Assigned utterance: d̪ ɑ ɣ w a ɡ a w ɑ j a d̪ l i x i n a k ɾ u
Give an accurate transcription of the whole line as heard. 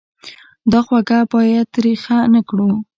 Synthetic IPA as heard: d̪ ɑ x w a ɡ a b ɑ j a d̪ ɾ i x a n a k ɽ u